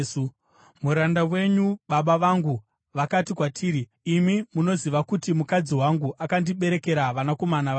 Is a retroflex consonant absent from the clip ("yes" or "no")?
yes